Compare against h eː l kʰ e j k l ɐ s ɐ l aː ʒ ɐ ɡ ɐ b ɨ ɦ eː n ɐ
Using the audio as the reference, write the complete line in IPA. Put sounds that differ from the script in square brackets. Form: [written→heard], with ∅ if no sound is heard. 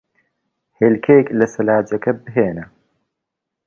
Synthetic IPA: h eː l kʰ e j k l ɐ s ɐ l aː [ʒ→d͡ʒ] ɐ [ɡ→k] ɐ b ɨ ɦ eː n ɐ

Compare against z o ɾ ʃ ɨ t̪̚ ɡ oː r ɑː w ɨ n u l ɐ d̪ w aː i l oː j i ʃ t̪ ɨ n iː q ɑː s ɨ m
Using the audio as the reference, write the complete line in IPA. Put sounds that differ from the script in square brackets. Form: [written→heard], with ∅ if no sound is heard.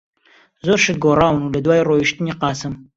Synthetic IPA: z o ɾ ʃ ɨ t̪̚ ɡ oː r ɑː w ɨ n u l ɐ d̪ w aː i [l→r] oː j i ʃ t̪ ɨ n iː q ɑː s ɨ m

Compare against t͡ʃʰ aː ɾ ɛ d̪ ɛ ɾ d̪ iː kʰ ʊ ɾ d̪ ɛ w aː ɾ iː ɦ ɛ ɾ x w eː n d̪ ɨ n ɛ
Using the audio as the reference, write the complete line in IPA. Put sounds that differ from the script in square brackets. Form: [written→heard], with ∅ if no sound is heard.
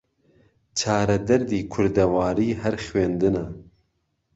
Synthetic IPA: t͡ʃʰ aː ɾ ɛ d̪ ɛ ɾ d̪ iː kʰ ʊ ɾ d̪ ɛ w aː ɾ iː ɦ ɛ ɾ x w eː n d̪ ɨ n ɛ

